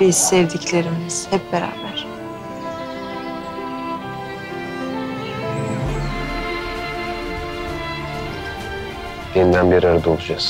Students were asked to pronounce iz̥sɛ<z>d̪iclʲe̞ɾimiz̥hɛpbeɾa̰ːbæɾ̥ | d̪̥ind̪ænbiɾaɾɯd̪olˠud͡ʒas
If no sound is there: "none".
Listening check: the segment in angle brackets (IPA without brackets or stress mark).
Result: v